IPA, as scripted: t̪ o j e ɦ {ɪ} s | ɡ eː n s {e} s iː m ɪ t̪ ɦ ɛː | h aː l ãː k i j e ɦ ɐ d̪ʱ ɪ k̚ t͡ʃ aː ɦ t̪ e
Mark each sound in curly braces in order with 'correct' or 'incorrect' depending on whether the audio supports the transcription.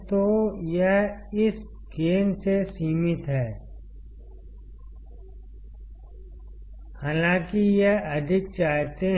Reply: correct, correct

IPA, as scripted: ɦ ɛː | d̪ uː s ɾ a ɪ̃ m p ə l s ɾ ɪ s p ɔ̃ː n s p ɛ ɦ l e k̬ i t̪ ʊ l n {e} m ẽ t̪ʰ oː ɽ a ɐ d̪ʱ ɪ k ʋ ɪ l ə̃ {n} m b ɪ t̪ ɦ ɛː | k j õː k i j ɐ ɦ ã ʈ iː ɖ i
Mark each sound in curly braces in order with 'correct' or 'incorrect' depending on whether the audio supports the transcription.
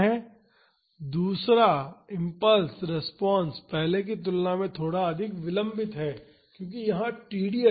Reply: incorrect, incorrect

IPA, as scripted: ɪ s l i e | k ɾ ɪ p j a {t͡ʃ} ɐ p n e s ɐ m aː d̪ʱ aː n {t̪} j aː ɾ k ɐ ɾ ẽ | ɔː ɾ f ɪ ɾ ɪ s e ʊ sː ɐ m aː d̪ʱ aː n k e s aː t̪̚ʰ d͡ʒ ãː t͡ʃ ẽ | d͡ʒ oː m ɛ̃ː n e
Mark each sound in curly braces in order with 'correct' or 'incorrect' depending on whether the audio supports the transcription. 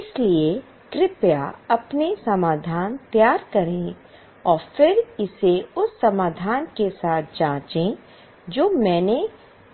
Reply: incorrect, correct

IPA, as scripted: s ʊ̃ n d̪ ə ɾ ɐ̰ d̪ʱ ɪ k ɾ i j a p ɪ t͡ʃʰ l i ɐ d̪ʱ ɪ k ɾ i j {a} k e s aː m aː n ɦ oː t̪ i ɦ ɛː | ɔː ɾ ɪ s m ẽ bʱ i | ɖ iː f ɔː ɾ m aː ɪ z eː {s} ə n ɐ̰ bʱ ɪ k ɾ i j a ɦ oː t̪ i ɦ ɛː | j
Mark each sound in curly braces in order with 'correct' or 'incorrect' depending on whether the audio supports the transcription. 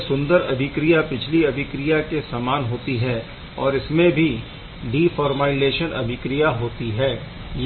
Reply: correct, incorrect

